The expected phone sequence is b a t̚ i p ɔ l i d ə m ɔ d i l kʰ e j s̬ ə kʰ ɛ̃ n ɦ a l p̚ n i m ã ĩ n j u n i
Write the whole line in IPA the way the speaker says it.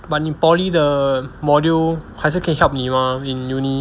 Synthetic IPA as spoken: b a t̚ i p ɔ l i d ə m ɔ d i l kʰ a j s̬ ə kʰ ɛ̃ n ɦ ɛ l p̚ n i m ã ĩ n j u n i